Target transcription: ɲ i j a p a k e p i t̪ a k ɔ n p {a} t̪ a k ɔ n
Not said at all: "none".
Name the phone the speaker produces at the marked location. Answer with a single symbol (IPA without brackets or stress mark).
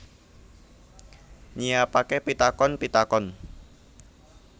i